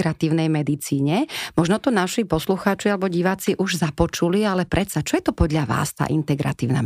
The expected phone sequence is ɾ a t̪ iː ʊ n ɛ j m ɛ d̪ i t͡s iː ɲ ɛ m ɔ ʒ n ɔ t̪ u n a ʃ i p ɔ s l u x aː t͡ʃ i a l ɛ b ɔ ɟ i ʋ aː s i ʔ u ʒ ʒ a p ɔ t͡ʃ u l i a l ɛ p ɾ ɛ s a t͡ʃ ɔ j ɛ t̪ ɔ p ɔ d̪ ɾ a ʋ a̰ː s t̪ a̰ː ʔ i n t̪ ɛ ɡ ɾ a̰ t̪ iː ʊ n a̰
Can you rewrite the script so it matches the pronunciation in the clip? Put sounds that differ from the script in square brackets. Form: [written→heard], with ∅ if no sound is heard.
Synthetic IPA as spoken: ɾ a t̪ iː ʊ n ɛ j m ɛ d̪ i t͡s iː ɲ ɛ m ɔ ʒ n ɔ t̪ [u→ɔ] n a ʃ i p ɔ s l u x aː t͡ʃ i a l ɛ b ɔ ɟ i ʋ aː [s→t͡s] i ʔ u ʒ [ʒ→z] a p ɔ t͡ʃ u l i a l ɛ p ɾ ɛ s a t͡ʃ ɔ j ɛ t̪ ɔ p ɔ d̪ [ɾ→ʎ] a ʋ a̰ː s t̪ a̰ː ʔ i n t̪ ɛ ɡ ɾ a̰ t̪ iː ʊ n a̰